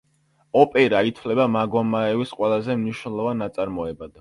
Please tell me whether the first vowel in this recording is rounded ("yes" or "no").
yes